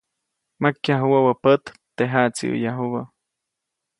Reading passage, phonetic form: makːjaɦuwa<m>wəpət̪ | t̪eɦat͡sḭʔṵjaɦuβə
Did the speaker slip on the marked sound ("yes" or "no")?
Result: yes